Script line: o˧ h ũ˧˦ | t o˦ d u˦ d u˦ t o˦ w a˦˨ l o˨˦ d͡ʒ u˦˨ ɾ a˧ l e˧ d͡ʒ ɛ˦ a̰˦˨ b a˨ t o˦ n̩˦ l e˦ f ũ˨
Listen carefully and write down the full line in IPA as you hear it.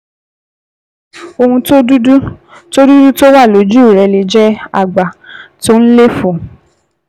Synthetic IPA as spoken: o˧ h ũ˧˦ | t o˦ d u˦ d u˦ t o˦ w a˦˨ l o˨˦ d͡ʒ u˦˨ ɾ ɛ˧ l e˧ d͡ʒ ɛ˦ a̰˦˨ ɡ͡b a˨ t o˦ n̩˦ l e˦ f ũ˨